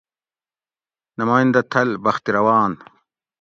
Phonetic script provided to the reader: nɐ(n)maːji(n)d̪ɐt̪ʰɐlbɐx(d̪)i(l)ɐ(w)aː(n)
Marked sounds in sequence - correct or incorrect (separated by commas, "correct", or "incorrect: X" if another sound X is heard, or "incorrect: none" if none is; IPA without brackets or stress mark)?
incorrect: none, correct, incorrect: t̪, incorrect: ɾ, correct, correct